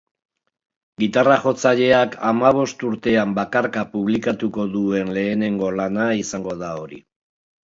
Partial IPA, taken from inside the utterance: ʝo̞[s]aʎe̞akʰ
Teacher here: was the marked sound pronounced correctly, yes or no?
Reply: no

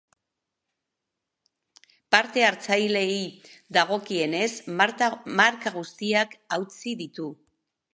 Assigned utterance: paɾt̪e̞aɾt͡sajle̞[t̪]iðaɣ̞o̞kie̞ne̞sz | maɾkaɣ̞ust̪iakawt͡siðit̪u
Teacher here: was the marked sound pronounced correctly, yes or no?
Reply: no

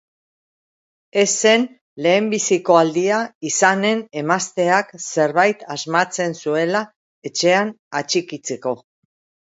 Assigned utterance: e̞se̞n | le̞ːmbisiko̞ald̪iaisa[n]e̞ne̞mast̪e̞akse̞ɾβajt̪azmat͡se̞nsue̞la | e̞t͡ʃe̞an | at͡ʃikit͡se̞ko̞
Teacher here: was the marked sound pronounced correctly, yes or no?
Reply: yes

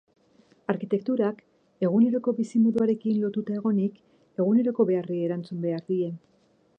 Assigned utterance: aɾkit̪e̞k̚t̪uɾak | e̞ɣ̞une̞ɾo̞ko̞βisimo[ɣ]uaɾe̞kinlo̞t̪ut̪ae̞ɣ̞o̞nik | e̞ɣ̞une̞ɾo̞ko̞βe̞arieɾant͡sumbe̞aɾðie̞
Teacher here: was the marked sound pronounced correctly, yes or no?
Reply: no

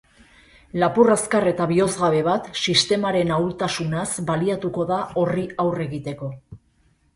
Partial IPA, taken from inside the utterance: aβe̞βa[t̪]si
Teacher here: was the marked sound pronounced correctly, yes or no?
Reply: yes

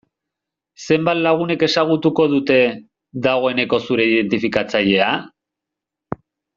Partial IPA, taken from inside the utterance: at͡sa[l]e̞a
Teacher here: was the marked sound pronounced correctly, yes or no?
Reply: no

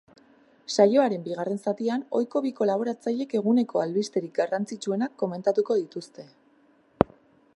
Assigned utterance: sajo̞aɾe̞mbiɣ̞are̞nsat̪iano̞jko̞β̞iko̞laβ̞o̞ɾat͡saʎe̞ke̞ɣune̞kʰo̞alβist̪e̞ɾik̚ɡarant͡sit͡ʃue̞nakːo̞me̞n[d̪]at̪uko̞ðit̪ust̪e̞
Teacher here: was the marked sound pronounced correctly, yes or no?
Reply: no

